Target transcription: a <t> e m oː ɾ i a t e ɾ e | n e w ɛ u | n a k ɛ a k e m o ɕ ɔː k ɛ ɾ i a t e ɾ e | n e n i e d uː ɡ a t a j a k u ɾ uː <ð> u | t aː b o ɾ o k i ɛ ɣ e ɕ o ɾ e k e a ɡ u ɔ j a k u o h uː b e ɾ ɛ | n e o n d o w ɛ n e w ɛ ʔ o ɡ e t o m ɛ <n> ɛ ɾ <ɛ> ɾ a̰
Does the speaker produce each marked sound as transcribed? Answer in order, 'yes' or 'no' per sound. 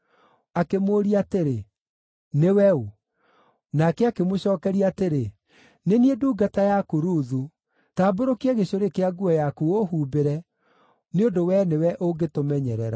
no, yes, no, yes

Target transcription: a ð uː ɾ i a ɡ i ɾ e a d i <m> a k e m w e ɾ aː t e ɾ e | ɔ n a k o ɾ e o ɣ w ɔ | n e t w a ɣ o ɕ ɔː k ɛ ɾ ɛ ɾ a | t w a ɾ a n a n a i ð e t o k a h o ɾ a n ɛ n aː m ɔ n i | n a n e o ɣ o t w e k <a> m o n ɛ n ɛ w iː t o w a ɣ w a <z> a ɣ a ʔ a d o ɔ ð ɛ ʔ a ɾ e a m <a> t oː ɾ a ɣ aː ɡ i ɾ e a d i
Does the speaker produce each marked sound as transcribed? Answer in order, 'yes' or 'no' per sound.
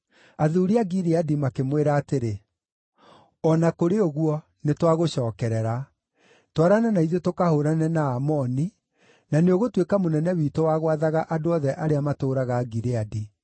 yes, yes, no, yes

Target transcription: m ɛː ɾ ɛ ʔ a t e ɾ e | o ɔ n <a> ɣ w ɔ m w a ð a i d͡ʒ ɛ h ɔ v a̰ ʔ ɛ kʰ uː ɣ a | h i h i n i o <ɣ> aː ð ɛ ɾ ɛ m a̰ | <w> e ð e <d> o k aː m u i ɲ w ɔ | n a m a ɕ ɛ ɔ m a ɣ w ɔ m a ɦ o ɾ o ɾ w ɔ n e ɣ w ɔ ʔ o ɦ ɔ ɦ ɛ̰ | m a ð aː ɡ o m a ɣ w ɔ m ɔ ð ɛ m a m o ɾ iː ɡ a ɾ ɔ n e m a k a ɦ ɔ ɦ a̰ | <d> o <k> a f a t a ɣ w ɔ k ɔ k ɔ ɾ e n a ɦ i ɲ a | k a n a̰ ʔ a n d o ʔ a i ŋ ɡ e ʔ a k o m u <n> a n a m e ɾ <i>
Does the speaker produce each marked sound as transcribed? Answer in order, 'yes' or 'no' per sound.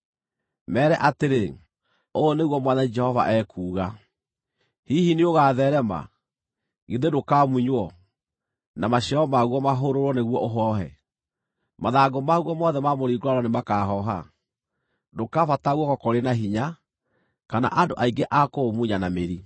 no, yes, no, yes, yes, yes, no, yes

